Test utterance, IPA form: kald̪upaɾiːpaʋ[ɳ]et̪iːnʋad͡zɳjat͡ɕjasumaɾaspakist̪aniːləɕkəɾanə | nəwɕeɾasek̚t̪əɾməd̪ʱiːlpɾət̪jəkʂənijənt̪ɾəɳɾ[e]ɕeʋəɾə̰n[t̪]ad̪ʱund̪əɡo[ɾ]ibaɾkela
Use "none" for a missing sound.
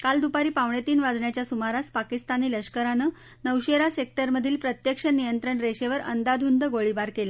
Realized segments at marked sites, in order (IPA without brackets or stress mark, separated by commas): ɳ, e, d̪, ɭ